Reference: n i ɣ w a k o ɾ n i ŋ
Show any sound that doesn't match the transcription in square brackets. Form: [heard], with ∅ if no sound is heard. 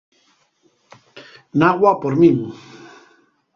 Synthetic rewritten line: n [a] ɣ w a [p] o ɾ [m] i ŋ